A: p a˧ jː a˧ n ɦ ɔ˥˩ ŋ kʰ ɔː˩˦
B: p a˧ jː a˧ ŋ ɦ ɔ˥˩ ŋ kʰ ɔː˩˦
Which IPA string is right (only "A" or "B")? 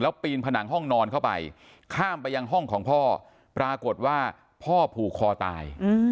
B